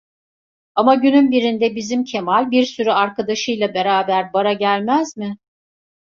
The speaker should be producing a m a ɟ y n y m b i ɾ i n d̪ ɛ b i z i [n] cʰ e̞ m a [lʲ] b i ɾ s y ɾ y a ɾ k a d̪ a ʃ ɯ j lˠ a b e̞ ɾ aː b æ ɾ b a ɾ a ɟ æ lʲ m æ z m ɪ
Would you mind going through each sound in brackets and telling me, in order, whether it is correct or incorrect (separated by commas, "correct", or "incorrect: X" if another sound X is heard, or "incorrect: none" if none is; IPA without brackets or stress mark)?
incorrect: m, correct